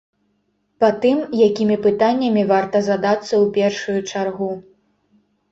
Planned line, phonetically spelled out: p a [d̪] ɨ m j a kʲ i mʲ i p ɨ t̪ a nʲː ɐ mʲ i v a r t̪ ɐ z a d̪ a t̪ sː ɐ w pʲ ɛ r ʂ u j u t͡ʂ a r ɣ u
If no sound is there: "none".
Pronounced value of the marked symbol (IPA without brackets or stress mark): t̪